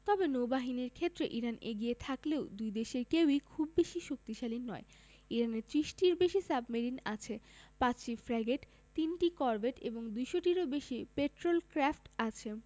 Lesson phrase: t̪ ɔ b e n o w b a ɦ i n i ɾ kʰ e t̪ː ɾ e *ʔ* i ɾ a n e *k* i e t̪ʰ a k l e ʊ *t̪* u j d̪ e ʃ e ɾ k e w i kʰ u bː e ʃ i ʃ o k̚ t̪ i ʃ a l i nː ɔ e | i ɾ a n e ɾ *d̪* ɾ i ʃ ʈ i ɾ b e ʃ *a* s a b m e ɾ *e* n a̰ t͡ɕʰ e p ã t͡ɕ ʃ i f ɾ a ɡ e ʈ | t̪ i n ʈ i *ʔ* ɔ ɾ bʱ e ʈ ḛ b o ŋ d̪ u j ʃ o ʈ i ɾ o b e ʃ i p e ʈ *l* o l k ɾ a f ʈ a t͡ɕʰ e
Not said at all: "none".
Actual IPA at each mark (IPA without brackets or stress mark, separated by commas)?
ʔ, ɡ, d̪, t̪, i, i, k, ɾ